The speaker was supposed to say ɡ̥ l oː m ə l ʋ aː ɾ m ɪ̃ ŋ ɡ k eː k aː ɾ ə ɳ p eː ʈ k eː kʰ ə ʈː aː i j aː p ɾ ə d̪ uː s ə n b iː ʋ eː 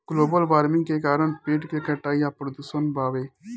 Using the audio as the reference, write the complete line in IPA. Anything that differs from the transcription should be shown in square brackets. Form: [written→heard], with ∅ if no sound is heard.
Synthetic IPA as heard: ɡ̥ l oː [m→b] ə l ʋ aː ɾ m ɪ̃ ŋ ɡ k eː k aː ɾ ə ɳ p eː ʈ k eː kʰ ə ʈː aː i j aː p ɾ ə d̪ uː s ə n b [iː→aː] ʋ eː

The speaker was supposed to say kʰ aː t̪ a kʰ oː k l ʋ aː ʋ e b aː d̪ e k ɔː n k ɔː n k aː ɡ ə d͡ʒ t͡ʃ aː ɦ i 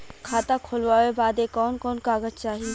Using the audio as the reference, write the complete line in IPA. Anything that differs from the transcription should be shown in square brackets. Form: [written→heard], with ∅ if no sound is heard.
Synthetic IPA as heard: kʰ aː t̪ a kʰ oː [k→∅] l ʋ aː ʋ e b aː d̪ e k ɔː n k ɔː n k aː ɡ ə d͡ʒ t͡ʃ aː ɦ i

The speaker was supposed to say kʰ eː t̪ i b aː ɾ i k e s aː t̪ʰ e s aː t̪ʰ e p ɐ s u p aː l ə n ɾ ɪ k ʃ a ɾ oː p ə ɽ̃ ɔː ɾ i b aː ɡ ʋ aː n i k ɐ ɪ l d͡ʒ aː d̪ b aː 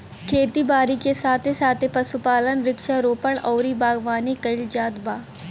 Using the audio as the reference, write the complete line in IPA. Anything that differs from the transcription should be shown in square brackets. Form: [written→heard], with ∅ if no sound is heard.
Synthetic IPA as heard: kʰ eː t̪ i b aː ɾ i k e s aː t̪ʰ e s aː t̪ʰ e p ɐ s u p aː l ə n ɾ ɪ k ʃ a ɾ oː p ə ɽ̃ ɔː ɾ i b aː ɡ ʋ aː n i k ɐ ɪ l d͡ʒ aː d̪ b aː

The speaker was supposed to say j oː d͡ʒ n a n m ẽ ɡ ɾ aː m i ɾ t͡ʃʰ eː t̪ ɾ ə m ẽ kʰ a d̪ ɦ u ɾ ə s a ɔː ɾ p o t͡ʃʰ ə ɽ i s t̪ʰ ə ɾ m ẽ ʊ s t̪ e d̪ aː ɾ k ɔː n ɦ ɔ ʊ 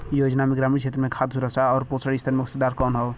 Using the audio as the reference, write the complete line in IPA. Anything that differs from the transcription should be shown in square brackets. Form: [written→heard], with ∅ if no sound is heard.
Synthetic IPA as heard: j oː d͡ʒ n a [n→∅] m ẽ ɡ ɾ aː m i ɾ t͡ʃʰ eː t̪ ɾ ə m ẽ kʰ a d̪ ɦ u ɾ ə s a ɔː ɾ p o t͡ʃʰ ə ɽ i s t̪ʰ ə ɾ m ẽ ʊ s t̪ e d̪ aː ɾ k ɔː n ɦ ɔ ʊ

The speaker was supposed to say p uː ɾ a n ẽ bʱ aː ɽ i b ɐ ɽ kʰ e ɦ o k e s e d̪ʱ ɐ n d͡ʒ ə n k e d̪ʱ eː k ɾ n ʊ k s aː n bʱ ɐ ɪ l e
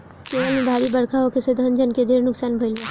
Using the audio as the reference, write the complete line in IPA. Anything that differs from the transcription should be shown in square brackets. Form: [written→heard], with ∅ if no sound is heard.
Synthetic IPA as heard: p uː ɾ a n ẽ bʱ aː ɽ i b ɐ ɽ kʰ [e→a] ɦ o k e s e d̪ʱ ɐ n d͡ʒ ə n k e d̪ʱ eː [k→∅] ɾ n ʊ k s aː n bʱ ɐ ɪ l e

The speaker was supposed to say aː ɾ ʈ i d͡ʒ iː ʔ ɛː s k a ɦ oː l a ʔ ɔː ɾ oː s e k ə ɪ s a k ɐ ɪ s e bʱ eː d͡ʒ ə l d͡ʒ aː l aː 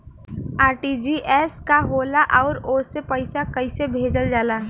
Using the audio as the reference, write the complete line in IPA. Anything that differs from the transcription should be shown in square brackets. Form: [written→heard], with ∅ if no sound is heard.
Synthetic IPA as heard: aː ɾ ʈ i d͡ʒ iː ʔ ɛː s k a ɦ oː l a ʔ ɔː ɾ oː s e [k→p] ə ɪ s a k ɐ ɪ s e bʱ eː d͡ʒ ə l d͡ʒ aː l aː

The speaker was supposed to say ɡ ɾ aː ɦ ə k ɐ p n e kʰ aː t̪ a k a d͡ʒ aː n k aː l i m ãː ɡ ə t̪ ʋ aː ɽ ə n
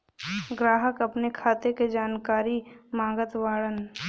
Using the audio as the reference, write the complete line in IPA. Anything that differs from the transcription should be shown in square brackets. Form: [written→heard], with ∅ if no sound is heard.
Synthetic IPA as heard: ɡ ɾ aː ɦ ə k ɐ p n e kʰ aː t̪ [a→e] k [a→e] d͡ʒ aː n k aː [l→ɾ] i m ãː ɡ ə t̪ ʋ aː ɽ ə n

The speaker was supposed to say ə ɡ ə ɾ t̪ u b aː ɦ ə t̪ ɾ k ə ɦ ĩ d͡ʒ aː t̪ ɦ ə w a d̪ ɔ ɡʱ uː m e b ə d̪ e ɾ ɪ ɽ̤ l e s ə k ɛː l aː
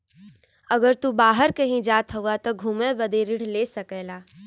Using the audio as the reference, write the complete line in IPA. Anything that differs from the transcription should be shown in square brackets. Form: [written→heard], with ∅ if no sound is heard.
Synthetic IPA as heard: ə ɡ ə ɾ t̪ u b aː ɦ ə [t̪→∅] ɾ k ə ɦ ĩ d͡ʒ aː t̪ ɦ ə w a [d̪→t̪] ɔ ɡʱ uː m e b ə d̪ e ɾ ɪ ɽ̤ l e s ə k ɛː l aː

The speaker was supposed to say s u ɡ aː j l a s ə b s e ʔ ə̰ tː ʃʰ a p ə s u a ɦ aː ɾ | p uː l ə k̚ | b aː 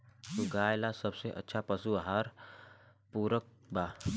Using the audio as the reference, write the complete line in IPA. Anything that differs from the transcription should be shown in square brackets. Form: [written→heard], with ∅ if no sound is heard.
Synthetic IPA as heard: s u ɡ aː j l a s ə b s e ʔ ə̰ tː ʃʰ a p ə s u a ɦ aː ɾ | p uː [l→ɾ] ə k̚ | b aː

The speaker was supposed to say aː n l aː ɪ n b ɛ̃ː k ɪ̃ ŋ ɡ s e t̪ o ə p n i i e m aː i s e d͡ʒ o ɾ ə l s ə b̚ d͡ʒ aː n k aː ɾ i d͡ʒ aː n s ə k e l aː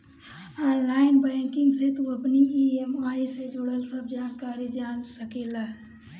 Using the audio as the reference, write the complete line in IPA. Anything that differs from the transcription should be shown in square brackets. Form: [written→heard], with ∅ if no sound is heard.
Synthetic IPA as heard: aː n l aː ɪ n b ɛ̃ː k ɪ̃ ŋ ɡ s e t̪ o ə p n i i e m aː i s e d͡ʒ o [ɾ→ɽ] ə l s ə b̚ d͡ʒ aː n k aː ɾ i d͡ʒ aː n s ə k e l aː

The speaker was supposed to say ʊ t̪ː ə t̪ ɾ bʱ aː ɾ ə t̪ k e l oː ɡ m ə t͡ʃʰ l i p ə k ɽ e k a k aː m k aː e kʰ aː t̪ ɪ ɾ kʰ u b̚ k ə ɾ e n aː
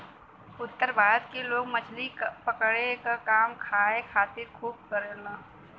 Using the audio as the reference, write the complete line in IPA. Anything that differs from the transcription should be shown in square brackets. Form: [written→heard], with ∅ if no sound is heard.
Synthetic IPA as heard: ʊ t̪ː ə [t̪→∅] ɾ bʱ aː ɾ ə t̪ k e l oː ɡ m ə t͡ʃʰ l i p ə k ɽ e k a k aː m [k→kʰ] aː e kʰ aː t̪ ɪ ɾ kʰ [u→uː] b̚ k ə ɾ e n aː

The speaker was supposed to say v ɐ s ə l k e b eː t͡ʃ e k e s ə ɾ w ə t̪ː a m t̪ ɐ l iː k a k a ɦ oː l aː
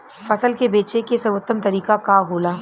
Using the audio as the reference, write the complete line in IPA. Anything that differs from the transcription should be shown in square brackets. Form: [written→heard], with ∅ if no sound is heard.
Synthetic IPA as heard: [v→f] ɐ s ə l k e b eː t͡ʃ e k e s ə ɾ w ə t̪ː [a→ə] m t̪ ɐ [l→ɾ] iː k a k a ɦ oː l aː

